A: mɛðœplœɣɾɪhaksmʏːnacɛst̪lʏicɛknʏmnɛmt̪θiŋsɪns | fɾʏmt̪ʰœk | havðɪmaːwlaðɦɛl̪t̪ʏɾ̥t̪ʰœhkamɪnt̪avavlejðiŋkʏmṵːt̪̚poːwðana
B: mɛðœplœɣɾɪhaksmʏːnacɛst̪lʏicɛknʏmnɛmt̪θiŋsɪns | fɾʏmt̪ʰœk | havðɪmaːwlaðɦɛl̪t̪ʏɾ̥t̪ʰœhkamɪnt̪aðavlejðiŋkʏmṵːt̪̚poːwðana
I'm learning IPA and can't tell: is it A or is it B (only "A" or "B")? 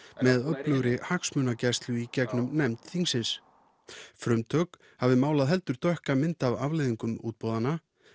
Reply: A